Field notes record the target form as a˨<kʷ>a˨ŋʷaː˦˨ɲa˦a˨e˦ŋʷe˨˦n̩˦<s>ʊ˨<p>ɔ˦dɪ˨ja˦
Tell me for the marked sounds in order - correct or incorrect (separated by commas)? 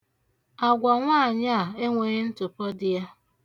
incorrect, incorrect, correct